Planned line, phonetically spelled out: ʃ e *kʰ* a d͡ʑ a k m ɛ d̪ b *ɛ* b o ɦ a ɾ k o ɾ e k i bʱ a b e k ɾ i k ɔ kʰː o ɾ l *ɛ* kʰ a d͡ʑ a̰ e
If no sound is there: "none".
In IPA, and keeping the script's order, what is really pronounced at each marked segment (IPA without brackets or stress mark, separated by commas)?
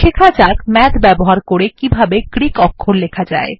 kʰ, ɛ, e